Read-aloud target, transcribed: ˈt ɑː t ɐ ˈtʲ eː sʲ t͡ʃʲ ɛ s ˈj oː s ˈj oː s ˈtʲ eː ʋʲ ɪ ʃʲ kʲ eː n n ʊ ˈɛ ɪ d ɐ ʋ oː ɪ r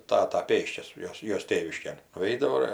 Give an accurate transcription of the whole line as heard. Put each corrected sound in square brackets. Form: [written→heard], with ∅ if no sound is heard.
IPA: ˈt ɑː t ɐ [ˈtʲ→ˈpʲ] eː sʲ t͡ʃʲ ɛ s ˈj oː s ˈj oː s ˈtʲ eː ʋʲ ɪ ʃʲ kʲ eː n n ʊ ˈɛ ɪ d ɐ ʋ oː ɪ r